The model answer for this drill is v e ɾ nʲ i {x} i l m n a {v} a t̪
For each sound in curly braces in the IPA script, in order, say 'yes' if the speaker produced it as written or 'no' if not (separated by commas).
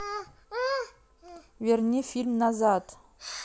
no, no